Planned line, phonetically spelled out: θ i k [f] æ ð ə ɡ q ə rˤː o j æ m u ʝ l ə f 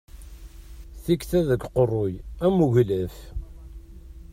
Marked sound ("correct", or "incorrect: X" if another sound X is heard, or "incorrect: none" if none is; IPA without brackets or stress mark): incorrect: θ